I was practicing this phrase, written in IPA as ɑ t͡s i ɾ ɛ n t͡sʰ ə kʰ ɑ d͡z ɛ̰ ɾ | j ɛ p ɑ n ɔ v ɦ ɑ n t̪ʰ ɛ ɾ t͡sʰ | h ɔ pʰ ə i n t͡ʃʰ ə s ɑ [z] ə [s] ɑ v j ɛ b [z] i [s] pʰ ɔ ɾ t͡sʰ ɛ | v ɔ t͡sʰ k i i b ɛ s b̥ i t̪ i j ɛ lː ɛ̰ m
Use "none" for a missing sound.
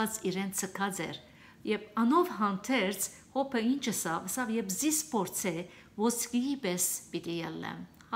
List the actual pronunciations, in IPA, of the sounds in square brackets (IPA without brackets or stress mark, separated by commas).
v, s, z, s